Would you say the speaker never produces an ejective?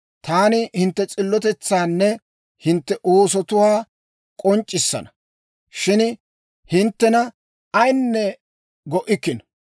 no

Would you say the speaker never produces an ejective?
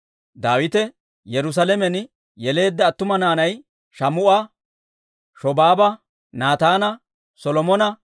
yes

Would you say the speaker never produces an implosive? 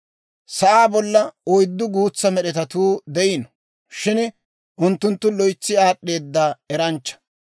no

